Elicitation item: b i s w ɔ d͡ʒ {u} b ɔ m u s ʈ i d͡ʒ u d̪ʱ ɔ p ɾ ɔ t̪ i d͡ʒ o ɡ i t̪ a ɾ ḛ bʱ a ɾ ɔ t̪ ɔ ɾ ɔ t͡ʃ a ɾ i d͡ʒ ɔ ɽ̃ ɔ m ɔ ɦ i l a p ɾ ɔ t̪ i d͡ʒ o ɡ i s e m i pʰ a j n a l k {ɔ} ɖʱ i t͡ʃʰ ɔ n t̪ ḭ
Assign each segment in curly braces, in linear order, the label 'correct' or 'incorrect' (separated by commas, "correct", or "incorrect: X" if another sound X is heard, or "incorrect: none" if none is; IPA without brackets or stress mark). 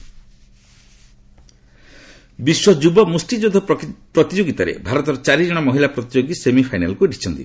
correct, incorrect: u